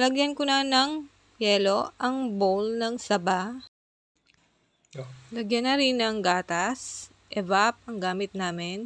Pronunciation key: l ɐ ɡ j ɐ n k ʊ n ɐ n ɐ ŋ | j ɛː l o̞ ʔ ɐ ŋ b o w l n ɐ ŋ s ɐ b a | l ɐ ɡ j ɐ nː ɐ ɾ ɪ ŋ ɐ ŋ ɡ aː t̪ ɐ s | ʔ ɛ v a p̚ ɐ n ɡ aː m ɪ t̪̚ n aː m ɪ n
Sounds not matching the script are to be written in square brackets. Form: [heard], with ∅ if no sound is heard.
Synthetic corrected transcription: l ɐ ɡ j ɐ n k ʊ n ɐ n ɐ ŋ | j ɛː l o̞ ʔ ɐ ŋ b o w l n ɐ ŋ s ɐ b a | l ɐ ɡ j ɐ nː ɐ ɾ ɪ [n] ɐ ŋ ɡ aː t̪ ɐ s | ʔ ɛ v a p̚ ɐ [ŋ] ɡ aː m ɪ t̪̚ n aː m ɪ n